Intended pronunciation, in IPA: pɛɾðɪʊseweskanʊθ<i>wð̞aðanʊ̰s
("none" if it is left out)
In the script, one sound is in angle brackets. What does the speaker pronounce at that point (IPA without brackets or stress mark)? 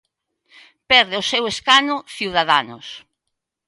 i